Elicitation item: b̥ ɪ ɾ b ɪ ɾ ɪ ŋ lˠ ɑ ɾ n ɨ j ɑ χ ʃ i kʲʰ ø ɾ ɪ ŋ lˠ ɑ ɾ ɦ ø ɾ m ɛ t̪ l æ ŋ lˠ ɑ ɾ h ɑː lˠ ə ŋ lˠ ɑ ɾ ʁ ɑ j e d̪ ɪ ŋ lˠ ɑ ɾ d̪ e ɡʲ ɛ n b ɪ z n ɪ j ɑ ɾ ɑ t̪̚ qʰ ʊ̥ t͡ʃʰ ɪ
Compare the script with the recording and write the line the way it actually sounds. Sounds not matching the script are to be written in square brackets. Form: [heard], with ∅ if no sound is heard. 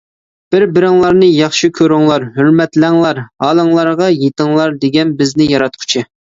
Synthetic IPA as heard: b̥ ɪ ɾ b ɪ ɾ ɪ ŋ lˠ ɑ ɾ n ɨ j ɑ χ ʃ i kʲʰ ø ɾ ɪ ŋ lˠ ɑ ɾ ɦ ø ɾ m ɛ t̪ l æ ŋ lˠ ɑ ɾ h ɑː lˠ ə ŋ lˠ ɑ ɾ ʁ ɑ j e [t̪] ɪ ŋ lˠ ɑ ɾ d̪ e ɡʲ ɛ n b ɪ z n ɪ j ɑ ɾ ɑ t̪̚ qʰ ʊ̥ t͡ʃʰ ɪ